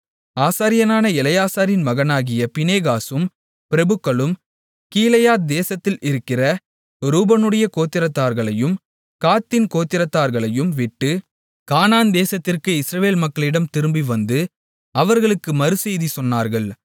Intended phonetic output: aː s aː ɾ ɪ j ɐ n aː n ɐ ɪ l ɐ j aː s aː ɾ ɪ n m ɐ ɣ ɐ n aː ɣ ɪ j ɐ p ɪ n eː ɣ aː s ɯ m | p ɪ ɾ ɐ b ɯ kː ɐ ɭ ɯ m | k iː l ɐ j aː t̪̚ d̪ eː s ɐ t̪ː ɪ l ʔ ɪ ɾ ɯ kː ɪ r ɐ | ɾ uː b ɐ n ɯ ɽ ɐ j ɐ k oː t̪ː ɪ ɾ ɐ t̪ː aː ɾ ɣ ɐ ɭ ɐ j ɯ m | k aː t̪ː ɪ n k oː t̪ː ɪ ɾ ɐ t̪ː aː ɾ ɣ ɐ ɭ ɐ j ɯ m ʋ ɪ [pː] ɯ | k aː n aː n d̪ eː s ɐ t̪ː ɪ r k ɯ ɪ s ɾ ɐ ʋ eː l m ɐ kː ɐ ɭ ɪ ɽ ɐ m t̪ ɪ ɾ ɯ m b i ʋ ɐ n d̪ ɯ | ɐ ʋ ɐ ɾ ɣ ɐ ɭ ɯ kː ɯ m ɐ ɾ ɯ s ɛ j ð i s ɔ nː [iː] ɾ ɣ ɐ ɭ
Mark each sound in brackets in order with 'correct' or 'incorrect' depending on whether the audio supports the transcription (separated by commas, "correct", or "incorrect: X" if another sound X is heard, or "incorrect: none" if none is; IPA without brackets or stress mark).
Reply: incorrect: ʈː, incorrect: aː